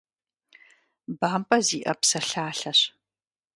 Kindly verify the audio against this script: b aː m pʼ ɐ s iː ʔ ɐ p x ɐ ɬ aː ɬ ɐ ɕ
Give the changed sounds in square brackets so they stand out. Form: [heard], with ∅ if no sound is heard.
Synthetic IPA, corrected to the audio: b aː m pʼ ɐ [z] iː ʔ ɐ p [s] ɐ ɬ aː ɬ ɐ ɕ